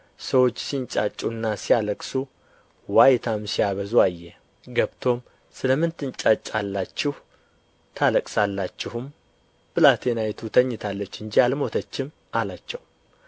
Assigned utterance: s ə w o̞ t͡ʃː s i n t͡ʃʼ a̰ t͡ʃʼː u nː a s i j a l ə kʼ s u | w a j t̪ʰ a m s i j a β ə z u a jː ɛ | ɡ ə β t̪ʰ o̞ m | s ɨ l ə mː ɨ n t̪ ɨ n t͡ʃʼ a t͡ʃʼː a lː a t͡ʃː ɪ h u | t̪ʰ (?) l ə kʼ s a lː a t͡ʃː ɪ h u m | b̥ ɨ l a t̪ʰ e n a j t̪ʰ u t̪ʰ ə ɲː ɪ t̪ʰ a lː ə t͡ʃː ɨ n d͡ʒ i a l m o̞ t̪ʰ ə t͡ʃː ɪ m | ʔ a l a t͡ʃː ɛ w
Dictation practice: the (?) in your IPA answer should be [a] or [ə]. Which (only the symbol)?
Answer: a